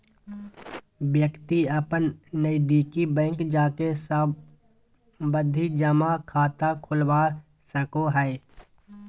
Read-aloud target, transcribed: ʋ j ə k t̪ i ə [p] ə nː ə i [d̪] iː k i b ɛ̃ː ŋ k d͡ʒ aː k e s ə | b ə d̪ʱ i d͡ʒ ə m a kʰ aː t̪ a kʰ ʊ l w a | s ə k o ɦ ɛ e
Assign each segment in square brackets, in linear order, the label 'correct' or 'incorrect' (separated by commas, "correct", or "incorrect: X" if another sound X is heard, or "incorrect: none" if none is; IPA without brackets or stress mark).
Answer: correct, correct